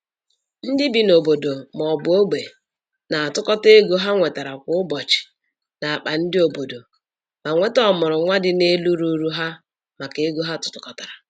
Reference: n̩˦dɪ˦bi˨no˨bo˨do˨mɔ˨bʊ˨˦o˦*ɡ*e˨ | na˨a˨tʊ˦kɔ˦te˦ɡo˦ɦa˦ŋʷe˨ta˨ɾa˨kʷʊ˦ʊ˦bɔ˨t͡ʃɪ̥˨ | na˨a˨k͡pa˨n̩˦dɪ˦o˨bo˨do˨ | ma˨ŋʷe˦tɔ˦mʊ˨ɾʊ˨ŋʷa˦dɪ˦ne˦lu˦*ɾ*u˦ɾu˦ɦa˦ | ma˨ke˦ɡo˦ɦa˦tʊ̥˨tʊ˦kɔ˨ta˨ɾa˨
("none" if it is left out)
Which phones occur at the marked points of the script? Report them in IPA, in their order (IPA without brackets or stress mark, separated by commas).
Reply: ɡ͡b, ɾ